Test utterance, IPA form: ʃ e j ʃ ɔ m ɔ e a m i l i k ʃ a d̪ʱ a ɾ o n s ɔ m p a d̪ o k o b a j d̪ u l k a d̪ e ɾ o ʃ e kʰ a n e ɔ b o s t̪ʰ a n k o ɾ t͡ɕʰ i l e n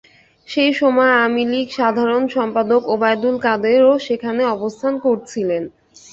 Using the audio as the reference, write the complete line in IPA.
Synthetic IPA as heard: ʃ e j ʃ ɔ m ɔ e a m i l i k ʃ a d̪ʱ a ɾ o n ʃ ɔ m p a d̪ o k o b a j d̪ u l k a d̪ e ɾ o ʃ e kʰ a n e ɔ b o s t̪ʰ a n k o ɾ t͡ɕʰ i l e n

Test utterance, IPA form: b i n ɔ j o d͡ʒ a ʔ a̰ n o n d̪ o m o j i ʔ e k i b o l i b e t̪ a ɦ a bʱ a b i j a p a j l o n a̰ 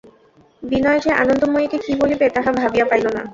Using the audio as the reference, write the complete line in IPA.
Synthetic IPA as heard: b i n ɔ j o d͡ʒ e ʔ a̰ n o n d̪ o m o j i k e k i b o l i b e t̪ a ɦ a bʱ a b i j a p a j l o n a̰

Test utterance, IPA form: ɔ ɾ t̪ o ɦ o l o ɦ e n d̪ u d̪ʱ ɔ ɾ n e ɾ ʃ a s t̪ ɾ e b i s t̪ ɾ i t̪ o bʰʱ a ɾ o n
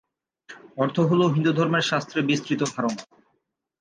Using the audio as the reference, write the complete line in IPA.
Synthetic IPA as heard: ɔ ɾ t̪ʰ o ɦ o l o ɦ i n d̪ u d̪ʱ ɔ ɾ m e ɾ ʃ a s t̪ ɾ e b i s t̪ ɾ i t̪ o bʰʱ a ɾ o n

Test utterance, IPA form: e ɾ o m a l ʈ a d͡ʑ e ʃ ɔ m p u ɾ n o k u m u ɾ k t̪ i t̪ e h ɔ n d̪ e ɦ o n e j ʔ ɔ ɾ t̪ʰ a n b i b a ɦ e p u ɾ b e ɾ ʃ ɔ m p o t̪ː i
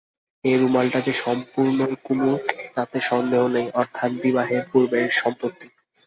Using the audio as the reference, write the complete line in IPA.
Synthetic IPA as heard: e ɾ u m a l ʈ a d͡ʑ e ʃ ɔ m p u ɾ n o k u m u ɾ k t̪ a t̪ e ʃ ɔ n d̪ e ɦ o n e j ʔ ɔ ɾ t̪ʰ a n b i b a ɦ e p u ɾ b e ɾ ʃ ɔ m p o t̪ː i

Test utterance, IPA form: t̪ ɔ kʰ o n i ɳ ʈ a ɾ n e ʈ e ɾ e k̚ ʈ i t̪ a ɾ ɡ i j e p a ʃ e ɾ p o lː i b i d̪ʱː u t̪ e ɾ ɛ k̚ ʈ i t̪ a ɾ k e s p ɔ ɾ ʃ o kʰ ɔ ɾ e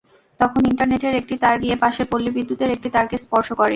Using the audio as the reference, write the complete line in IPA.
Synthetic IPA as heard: t̪ ɔ kʰ o n i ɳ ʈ a ɾ n e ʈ e ɾ e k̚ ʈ i t̪ a ɾ ɡ i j e p a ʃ e ɾ p o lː i b i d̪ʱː u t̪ e ɾ e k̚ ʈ i t̪ a ɾ k e s p ɔ ɾ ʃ o k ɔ ɾ e

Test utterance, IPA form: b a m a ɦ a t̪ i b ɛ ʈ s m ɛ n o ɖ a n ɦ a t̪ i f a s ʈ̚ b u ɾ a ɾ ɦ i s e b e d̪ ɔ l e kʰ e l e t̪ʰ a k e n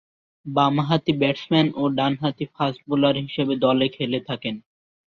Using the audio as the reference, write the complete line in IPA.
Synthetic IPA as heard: b a m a ɦ a t̪ i b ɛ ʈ s m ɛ n o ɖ a n ɦ a t̪ i f a s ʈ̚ b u l a ɾ ɦ i ʃ e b e d̪ ɔ l e kʰ e l e t̪ʰ a k e n

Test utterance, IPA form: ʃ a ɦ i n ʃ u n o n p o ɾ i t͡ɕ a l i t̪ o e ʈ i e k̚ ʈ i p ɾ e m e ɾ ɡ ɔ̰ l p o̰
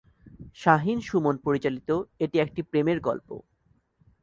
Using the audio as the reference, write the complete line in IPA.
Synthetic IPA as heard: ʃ a ɦ i n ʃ u m o n p o ɾ i t͡ɕ a l i t̪ o e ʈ i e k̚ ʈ i p ɾ e m e ɾ ɡ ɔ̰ l p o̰

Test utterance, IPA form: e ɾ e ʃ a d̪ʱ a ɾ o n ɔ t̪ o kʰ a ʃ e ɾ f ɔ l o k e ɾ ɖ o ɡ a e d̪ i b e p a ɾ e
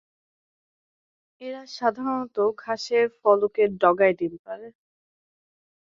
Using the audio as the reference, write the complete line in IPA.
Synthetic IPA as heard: e ɾ a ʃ a d̪ʱ a ɾ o n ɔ t̪ o kʰ a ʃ e ɾ f ɔ l o k e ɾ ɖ ɔ ɡ a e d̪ i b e p a ɾ e

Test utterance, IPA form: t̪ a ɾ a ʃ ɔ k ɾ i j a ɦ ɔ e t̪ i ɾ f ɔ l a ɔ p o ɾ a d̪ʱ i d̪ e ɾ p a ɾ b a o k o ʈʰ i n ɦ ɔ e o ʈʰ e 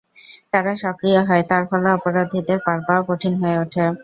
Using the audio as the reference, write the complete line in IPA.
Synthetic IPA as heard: t̪ a ɾ a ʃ ɔ k ɾ i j a ɦ ɔ e t̪ a ɾ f ɔ l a ɔ p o ɾ a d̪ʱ i d̪ e ɾ p a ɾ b a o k o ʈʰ i n ɦ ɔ e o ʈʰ e

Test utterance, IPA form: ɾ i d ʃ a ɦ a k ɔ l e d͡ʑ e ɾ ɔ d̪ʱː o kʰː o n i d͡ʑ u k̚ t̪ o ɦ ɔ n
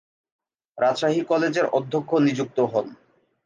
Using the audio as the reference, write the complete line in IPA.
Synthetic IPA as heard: ɾ a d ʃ a ɦ i k ɔ l e d͡ʑ e ɾ ɔ d̪ʱː o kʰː o n i d͡ʑ u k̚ t̪ o ɦ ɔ n

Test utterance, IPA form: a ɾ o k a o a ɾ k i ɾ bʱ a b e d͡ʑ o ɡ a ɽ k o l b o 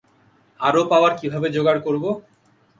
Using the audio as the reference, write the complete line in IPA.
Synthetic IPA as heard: a ɾ o p a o a ɾ k i bʱ a b e d͡ʑ o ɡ a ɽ k o ɾ b o

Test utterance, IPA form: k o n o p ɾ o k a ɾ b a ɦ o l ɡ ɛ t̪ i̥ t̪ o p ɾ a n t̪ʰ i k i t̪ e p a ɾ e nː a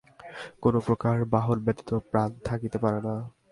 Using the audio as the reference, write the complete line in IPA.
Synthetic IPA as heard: k o n o p ɾ o k a ɾ b a ɦ o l b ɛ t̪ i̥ t̪ o p ɾ a n t̪ʰ a k i t̪ e p a ɾ e n a

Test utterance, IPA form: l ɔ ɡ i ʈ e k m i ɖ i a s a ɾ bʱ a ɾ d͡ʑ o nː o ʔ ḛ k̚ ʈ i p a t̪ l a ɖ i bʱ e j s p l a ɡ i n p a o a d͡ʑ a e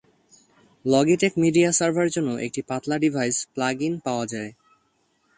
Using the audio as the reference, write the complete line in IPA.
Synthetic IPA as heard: l ɔ ɡ i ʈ e k m i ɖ i a s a ɾ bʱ a ɾ d͡ʑ o nː o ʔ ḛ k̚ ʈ i p a t̪ l a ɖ i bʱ a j s p l a ɡ i n p a o a d͡ʑ a e

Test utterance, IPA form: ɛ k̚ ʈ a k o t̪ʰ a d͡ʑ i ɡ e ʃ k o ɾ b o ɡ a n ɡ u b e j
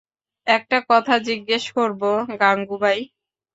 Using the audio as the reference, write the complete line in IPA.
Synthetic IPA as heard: ɛ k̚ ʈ a k ɔ t̪ʰ a d͡ʑ i ɡː e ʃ k o ɾ b o ɡ a ŋ ɡ u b a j

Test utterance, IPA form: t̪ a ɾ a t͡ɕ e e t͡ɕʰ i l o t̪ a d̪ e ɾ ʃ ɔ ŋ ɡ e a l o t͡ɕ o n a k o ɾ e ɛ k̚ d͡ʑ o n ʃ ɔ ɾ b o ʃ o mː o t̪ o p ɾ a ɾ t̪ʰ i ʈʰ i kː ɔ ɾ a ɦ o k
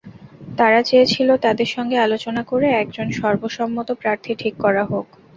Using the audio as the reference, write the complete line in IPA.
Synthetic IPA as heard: t̪ a ɾ a t͡ɕ e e t͡ɕʰ i l o t̪ a d̪ e ɾ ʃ ɔ ŋ ɡ e a l o t͡ɕ o n a k o ɾ e ɛ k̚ d͡ʑ o n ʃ ɔ ɾ b o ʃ ɔ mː o t̪ o p ɾ a ɾ t̪ʰ i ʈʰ i kː ɔ ɾ a ɦ o k

